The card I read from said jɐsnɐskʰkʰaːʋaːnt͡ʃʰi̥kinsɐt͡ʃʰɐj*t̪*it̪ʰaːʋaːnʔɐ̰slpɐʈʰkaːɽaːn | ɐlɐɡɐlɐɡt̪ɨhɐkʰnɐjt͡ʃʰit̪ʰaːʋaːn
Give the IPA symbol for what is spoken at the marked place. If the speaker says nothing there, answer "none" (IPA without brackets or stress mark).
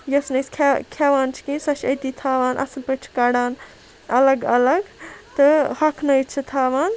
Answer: t̪